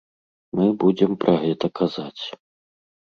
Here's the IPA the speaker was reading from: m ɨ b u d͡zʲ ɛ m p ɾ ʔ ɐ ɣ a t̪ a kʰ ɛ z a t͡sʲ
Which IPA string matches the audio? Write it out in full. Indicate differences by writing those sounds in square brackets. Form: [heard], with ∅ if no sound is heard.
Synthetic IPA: m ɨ b u d͡zʲ ɛ m p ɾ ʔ ɐ ɣ [ɛ] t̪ [ɐ] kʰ [a] z a t͡sʲ